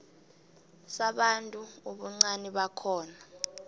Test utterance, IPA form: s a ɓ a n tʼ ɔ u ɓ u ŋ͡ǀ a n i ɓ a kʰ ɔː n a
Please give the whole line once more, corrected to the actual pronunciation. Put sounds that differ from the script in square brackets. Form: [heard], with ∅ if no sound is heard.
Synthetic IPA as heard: s a ɓ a n tʼ [u] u ɓ u ŋ͡ǀ a n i ɓ a kʰ ɔː n a